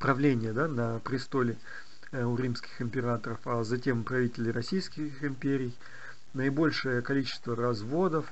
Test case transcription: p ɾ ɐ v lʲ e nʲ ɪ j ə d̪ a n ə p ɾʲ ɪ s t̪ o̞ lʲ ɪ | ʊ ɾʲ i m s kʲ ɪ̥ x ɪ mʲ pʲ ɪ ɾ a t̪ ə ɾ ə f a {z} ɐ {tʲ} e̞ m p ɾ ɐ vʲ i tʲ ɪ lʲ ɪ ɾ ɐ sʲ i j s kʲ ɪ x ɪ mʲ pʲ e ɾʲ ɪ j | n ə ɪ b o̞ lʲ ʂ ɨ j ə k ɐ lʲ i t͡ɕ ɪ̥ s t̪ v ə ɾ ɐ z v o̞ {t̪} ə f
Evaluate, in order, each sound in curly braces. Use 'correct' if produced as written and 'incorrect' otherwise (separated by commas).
correct, correct, incorrect